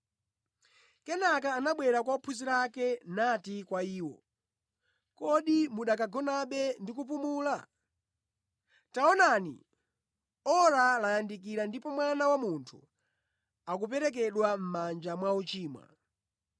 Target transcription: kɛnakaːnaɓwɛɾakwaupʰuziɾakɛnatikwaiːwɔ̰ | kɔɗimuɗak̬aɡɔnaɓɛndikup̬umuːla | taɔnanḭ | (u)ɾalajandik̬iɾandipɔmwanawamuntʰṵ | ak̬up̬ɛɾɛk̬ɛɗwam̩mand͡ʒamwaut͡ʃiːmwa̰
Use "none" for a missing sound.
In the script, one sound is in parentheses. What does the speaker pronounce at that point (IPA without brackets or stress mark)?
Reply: ɔ